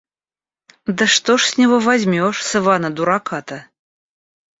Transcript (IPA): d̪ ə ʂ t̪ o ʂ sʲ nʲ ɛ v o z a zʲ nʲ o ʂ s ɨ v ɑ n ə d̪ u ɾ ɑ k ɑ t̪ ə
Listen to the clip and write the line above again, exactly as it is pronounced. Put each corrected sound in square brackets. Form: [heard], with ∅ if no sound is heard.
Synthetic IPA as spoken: d̪ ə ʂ t̪ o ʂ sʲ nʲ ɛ v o [v] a zʲ [mʲ] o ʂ s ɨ v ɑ n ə d̪ u ɾ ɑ k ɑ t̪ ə